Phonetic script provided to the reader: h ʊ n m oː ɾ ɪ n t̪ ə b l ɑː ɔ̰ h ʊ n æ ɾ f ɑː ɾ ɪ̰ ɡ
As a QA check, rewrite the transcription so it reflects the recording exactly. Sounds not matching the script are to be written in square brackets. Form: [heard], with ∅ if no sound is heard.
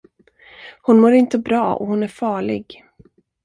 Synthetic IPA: h ʊ n m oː ɾ ɪ n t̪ ə b [ɾ] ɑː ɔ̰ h ʊ n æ ɾ f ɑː [ɭ] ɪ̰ ɡ